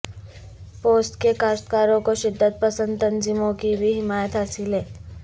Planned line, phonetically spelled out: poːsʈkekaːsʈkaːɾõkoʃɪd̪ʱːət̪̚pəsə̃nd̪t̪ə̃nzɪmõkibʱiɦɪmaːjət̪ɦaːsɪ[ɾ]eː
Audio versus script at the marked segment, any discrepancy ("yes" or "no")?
yes